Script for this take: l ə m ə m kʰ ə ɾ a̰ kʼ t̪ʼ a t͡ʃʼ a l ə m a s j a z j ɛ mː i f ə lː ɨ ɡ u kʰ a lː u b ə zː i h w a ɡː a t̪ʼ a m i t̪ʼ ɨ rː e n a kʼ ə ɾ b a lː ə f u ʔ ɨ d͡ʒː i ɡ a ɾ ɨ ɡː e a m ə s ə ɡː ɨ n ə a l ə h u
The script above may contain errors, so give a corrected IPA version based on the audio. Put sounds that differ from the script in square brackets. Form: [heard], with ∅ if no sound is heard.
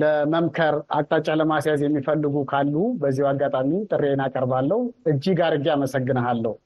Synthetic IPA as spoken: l ə m ə m kʰ ə ɾ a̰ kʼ t̪ʼ a t͡ʃʼ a l ə m a s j a z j ɛ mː i f ə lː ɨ ɡ u kʰ a lː u b ə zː i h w a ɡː a t̪ʼ a m i t̪ʼ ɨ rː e n a kʼ ə ɾ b a lː ə [h] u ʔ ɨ d͡ʒː i ɡ a ɾ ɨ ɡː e a m ə s ə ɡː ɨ n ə a [lː] ə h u